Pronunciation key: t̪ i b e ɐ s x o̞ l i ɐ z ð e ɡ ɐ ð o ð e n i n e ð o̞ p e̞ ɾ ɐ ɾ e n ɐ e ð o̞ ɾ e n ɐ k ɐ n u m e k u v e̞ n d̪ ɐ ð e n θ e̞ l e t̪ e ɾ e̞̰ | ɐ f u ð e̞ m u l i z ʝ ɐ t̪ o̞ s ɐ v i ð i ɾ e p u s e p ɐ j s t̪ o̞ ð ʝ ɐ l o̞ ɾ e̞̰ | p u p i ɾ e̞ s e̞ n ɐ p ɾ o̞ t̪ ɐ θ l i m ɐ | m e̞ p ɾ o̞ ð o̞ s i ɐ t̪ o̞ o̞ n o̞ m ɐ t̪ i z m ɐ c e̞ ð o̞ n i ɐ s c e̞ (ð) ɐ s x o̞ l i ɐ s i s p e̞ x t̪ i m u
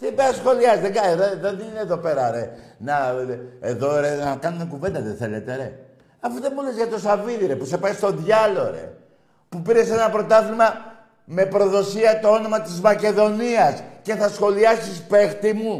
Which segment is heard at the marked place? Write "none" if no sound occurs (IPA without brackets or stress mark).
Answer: θ